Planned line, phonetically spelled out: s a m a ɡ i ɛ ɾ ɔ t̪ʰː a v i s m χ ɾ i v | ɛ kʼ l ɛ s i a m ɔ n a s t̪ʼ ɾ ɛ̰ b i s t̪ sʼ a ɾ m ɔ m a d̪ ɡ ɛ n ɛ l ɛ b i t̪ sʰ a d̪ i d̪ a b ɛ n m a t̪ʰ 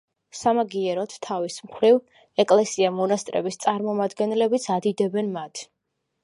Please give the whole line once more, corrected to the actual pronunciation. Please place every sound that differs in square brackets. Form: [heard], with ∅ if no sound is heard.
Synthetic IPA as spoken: s a m a ɡ i ɛ ɾ ɔ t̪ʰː a v i s m χ ɾ i v | ɛ kʼ l ɛ s i a m ɔ n a s t̪ʼ ɾ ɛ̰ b i s t̪ sʼ a ɾ m ɔ m a d̪ ɡ ɛ n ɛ l ɛ b i t̪ sʰ a d̪ i d̪ [ɛ] b ɛ n m a t̪ʰ